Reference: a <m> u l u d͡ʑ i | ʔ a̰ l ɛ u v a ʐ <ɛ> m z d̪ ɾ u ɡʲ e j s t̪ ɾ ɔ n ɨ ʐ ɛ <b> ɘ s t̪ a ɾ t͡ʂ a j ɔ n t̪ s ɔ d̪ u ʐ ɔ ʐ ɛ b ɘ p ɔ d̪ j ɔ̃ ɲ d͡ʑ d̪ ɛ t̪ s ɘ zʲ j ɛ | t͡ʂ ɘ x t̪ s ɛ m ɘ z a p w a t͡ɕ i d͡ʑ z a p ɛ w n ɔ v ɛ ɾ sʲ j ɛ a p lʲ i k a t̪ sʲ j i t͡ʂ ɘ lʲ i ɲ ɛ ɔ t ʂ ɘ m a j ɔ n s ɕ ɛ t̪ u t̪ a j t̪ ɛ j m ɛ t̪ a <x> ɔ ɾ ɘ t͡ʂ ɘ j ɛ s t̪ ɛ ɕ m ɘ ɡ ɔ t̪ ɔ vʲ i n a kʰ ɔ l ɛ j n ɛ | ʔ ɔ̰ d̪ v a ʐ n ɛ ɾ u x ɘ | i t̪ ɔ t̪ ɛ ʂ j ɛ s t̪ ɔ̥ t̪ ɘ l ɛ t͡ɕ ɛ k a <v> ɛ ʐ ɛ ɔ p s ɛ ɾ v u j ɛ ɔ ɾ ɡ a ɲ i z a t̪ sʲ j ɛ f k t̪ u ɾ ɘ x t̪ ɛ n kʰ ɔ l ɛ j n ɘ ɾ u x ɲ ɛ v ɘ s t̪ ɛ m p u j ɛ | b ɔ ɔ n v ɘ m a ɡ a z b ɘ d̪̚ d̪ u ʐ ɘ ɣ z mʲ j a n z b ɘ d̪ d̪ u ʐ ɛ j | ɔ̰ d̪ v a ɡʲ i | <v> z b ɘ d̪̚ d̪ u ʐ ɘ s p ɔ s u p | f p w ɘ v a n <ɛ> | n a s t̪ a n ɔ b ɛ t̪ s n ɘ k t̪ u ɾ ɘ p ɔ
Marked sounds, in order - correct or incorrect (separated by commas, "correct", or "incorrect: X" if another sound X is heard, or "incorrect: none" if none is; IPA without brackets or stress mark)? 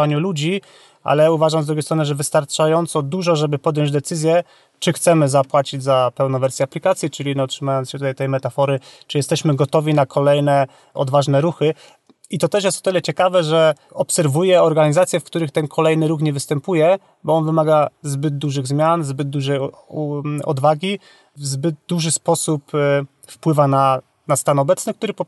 incorrect: ɲ, incorrect: a, incorrect: v, incorrect: f, correct, correct, incorrect: a